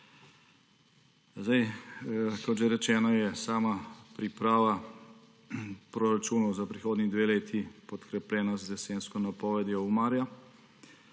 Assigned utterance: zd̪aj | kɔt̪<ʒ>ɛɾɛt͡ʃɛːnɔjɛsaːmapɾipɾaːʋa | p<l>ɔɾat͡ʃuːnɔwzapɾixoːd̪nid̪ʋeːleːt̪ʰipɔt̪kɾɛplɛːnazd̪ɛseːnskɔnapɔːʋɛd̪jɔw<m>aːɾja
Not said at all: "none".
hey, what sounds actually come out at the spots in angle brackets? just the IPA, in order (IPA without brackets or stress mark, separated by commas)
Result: ʒ, ɾ, m